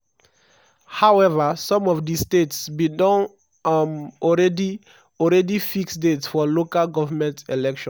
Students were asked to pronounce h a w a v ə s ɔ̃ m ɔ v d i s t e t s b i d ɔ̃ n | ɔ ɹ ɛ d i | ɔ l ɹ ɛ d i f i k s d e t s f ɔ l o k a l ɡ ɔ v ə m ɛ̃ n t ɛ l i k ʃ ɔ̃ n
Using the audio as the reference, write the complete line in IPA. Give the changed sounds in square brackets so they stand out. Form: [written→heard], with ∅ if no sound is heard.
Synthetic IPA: h a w [a→ɛ] v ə s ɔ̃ m ɔ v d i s t e t s b i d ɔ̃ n | ɔ ɹ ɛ d i | ɔ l ɹ ɛ d i f i k s d e t s f ɔ l o k a l ɡ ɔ v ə m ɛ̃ n t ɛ l [i→ɛ] k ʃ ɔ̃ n